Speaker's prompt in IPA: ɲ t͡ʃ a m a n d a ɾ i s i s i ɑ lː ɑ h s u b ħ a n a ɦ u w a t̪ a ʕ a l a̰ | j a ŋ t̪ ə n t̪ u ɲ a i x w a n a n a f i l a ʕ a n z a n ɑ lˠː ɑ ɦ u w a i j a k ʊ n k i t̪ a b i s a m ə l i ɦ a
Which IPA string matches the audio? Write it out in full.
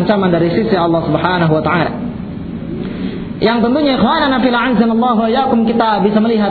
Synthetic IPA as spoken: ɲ t͡ʃ a m a n d a ɾ i s i s i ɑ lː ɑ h s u b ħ a n a ɦ u w a t̪ a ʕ a l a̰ | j a ŋ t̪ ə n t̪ u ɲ a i x w a n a n a f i l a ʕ a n z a n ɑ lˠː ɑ ɦ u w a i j a k ʊ m k i t̪ a b i s a m ə l i ɦ a